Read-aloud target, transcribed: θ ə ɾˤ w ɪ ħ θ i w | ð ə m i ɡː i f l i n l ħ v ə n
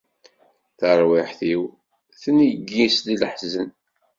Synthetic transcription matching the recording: θ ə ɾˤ w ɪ ħ θ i w | θ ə n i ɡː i s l i l ħ z ə n